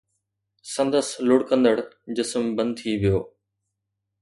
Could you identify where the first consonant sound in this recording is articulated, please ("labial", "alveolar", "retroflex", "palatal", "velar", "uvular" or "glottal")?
alveolar